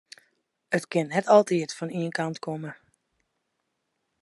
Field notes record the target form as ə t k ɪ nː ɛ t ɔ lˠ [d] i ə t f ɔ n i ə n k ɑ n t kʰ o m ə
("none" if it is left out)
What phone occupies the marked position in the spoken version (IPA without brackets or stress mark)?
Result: t